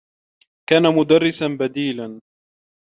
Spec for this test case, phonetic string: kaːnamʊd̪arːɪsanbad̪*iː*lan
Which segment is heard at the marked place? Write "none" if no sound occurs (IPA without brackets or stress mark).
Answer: iː